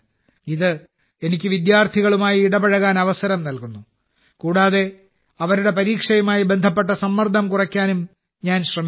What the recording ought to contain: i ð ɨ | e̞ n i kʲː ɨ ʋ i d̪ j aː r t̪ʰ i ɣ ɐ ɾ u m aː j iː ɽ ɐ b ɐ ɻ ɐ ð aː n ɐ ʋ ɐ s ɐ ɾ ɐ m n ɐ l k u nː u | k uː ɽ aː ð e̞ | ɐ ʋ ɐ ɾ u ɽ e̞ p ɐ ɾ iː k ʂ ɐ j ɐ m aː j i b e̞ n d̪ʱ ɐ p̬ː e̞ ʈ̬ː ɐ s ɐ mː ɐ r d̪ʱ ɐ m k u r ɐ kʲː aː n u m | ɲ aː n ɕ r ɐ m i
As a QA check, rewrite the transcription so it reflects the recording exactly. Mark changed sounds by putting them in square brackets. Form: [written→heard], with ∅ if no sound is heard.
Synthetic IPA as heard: i ð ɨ | e̞ n i kʲː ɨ ʋ i d̪ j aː r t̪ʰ i ɣ ɐ [ɾ→ɭ] u m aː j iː ɽ ɐ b ɐ ɻ ɐ [ð→ɣ] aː n ɐ ʋ ɐ s ɐ ɾ ɐ m n ɐ l k u nː u | k uː ɽ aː ð e̞ | ɐ ʋ ɐ ɾ u ɽ e̞ p ɐ ɾ iː k ʂ ɐ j ɐ m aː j i b e̞ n d̪ʱ ɐ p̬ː e̞ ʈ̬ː ɐ s ɐ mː ɐ r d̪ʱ ɐ m k u r ɐ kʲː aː n u m | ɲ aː n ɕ r ɐ m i